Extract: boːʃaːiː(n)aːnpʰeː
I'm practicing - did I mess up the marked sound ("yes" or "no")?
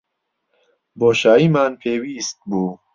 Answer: yes